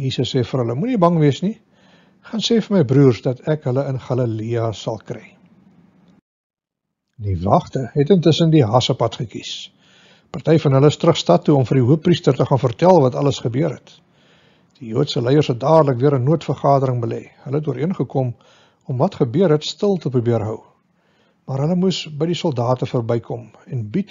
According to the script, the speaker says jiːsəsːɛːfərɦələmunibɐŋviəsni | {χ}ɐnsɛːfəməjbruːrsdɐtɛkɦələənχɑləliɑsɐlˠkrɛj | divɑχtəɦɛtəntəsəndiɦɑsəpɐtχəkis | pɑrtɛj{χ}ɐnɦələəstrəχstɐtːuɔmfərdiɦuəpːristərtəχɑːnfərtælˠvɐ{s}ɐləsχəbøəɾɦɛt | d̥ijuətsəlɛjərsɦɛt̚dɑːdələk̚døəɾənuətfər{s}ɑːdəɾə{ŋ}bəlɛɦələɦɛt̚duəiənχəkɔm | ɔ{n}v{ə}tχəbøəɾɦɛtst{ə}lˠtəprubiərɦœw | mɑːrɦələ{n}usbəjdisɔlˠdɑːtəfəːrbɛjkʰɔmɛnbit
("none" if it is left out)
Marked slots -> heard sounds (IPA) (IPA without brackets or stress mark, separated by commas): χ, f, t, χ, ŋ, m, ɐ, ə, m